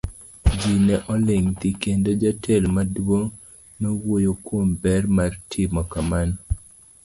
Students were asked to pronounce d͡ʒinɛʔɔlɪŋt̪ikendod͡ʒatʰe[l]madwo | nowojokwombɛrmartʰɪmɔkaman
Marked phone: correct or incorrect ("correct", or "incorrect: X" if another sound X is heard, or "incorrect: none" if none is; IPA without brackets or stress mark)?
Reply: correct